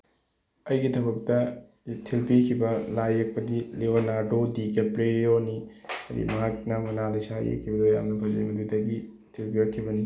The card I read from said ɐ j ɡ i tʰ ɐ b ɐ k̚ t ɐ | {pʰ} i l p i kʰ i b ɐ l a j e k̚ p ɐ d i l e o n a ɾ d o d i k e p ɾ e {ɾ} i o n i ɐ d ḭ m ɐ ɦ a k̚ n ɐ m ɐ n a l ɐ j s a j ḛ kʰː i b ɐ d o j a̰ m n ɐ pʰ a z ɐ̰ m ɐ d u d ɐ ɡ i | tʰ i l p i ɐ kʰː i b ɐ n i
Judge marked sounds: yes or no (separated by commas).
no, yes